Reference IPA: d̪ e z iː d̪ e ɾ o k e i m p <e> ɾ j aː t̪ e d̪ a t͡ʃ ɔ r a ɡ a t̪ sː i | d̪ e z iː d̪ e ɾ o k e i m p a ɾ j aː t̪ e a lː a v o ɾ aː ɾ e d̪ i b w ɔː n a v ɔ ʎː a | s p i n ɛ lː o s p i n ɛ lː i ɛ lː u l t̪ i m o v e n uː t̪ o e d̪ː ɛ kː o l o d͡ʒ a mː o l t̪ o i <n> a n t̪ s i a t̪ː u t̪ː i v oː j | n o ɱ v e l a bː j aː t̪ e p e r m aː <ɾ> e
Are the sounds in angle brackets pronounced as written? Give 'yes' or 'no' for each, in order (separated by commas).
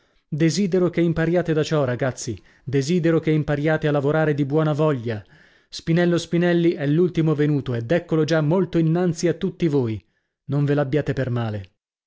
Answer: no, no, no